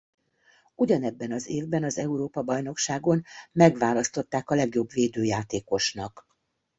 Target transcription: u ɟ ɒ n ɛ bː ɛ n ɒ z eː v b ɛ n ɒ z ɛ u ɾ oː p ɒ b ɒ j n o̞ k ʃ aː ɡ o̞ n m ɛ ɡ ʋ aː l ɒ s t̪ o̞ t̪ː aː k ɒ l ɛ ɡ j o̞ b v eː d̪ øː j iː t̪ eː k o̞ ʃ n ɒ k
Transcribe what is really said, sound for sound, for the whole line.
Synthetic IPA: u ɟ ɒ n ɛ bː ɛ n ɒ z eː v b ɛ n ɒ z ɛ u ɾ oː p ɒ b ɒ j n o̞ k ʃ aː ɡ o̞ n m ɛ ɡ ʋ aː l ɒ s t̪ o̞ t̪ː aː k ɒ l ɛ ɡ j o̞ b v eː d̪ øː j aː t̪ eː k o̞ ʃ n ɒ k